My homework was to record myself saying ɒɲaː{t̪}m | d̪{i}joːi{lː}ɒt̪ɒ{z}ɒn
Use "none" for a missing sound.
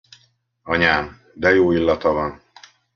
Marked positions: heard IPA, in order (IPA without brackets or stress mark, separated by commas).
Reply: none, ɛ, lː, v